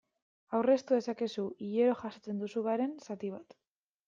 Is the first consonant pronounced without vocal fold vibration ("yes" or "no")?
no